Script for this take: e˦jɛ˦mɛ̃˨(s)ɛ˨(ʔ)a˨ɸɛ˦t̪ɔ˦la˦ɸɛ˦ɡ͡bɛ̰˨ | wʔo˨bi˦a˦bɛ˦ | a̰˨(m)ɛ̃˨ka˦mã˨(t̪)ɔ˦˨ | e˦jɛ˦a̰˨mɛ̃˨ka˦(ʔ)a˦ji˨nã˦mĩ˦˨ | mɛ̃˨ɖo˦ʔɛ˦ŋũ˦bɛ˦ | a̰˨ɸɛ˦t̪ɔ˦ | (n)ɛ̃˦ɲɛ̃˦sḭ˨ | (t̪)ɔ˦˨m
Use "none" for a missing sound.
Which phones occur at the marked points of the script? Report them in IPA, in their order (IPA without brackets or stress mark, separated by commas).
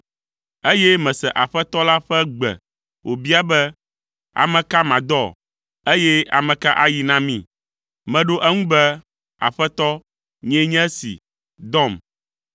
s, ʔ, m, d̪, ʔ, ɲ, d̪